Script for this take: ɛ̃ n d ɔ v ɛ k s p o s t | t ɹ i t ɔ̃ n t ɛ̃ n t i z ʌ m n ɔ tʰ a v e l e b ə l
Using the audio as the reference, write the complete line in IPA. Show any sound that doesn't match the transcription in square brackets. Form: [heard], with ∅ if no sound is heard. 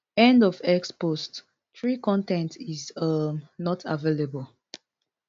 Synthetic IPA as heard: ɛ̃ n d ɔ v ɛ k s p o s t | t ɹ i [k] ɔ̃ n t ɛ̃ n t i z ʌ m n ɔ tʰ a v e l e b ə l

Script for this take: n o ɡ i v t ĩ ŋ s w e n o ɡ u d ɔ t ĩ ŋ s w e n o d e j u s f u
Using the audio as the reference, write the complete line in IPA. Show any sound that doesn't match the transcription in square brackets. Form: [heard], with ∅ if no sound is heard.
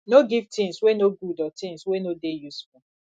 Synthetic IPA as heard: n o ɡ i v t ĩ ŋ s w e n o ɡ u d ɔ t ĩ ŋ s w e n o d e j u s f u

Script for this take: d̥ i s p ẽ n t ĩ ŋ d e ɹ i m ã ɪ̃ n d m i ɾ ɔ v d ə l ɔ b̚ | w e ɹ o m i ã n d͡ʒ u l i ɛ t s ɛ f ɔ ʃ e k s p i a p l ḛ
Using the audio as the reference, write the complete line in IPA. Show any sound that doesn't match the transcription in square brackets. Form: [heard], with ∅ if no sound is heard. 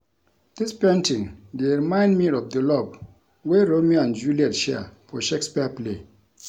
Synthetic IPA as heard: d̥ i s p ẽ n t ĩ ŋ d e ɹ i m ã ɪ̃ n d m i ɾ ɔ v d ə l ɔ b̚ | w e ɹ o m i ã n d͡ʒ u l i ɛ t [ʃ] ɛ f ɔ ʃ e k s p i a p l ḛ

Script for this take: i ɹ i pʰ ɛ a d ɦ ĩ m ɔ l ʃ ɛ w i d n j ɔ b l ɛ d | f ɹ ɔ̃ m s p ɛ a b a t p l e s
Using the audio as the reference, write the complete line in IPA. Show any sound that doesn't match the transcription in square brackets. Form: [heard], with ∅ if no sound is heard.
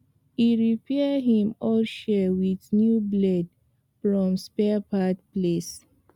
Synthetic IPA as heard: i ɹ i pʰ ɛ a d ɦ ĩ m ɔ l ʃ ɛ w i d n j [u] b l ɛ d | f ɹ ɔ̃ m s p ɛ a [p] a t p l e s

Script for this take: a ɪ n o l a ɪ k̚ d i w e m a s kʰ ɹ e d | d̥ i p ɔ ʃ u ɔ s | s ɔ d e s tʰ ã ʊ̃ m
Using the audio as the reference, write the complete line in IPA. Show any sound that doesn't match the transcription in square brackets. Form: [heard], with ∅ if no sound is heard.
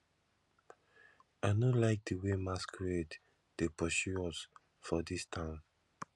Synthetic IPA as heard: a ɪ n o l a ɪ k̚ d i w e m a s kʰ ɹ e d | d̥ [e] p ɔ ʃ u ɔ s | [f] ɔ d [i] s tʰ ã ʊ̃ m

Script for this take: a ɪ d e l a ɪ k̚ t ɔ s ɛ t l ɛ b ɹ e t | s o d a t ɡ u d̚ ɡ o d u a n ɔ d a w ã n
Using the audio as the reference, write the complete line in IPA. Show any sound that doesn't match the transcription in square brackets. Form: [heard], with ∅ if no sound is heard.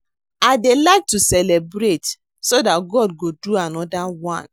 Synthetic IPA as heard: a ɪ d e l a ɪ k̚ t [u] s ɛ [∅] l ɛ b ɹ e t | s o d a t ɡ [ɔ] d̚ ɡ o d u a n ɔ d a w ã n

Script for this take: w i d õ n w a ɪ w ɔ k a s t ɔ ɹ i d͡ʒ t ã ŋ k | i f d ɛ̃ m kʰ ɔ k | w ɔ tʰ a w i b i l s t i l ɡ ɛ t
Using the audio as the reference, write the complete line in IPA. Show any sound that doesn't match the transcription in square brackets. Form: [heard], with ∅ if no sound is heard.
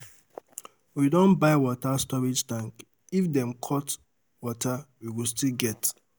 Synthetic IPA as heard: w i d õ n [b] a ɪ w ɔ [t] a s t ɔ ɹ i d͡ʒ t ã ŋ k | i f d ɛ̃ m kʰ ɔ [t] | w ɔ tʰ a w i [w] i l s t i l ɡ ɛ t

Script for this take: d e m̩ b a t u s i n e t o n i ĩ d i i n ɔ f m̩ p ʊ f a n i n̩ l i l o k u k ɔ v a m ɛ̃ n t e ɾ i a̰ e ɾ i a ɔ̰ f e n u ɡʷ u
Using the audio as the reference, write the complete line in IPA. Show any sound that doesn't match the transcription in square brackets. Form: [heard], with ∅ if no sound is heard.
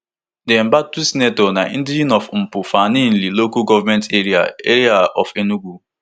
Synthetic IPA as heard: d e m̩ b a t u s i n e t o n [a] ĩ d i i n ɔ f m̩ p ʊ f a n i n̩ l i l o k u [ɡ] ɔ v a m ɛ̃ n t e ɾ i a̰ e ɾ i a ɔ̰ f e n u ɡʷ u

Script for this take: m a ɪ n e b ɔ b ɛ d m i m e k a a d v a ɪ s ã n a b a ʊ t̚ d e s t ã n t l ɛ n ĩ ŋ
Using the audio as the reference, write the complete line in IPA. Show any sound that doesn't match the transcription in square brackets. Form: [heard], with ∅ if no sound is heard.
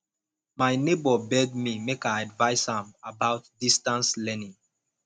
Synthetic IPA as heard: m a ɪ n e b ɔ b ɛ d m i m e k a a d v a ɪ s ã [m] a b a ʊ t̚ d [i] s t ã n [s] l ɛ n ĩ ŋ

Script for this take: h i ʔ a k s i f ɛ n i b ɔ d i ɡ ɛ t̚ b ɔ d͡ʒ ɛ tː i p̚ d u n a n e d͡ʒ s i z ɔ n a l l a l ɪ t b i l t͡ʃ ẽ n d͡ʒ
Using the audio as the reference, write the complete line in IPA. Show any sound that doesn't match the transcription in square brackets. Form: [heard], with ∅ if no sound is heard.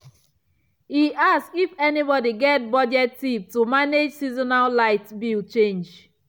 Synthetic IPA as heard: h i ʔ a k s i f ɛ n i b ɔ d i ɡ ɛ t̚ b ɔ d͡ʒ ɛ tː i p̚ [t] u [m] a n e d͡ʒ s i z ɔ n a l l a [∅] ɪ t b i l t͡ʃ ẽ n d͡ʒ

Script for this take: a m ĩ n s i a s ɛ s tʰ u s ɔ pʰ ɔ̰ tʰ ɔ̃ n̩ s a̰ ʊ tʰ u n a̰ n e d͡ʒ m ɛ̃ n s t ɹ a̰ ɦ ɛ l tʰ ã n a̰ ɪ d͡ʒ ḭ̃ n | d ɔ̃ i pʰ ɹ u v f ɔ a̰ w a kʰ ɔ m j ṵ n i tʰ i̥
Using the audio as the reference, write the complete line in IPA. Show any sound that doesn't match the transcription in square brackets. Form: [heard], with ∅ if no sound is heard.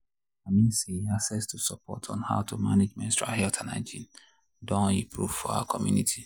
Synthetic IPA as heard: a m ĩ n s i a s ɛ s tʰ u s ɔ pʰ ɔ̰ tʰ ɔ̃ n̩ [h] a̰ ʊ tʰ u [m] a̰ n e d͡ʒ m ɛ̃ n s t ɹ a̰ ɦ ɛ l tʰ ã n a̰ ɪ d͡ʒ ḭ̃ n | d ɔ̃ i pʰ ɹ u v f ɔ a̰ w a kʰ ɔ m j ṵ n i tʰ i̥

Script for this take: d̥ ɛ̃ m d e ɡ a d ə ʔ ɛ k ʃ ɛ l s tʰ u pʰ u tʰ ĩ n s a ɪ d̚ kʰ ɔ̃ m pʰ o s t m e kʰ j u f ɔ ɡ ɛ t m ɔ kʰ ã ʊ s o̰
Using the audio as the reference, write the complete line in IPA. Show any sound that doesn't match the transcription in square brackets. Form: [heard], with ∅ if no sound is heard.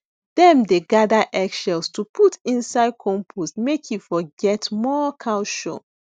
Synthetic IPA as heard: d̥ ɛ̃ m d e ɡ a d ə ʔ ɛ k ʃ ɛ l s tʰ u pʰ u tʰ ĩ n s a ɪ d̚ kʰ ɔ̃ m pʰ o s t m e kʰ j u f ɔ ɡ ɛ t m ɔ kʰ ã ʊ [ʃ] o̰

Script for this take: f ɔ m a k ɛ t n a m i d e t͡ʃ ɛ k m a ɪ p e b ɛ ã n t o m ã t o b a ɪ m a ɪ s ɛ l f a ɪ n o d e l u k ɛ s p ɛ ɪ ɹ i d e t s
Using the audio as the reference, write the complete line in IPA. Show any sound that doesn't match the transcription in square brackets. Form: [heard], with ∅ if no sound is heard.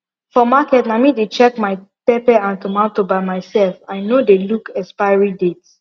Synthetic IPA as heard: f ɔ m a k ɛ t n a m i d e t͡ʃ ɛ k m a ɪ p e [p] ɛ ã n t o m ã t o b a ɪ m a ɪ s ɛ l f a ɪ n o d e l u k ɛ s p [a] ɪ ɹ i d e t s

